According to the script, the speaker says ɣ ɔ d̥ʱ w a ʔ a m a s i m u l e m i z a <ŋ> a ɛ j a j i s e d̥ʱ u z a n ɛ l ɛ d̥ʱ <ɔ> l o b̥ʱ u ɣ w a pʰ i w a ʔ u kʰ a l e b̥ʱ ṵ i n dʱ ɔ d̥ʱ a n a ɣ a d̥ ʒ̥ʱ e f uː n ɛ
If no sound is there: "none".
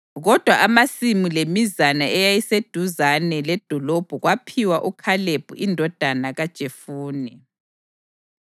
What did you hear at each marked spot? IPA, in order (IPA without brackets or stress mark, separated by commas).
n, ɔ